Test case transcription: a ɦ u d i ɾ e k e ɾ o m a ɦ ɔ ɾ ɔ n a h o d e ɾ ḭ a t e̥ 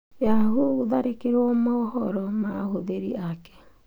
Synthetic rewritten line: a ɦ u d a ɾ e k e ɾ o m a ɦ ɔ ɾ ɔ m a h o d e ɾ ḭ a k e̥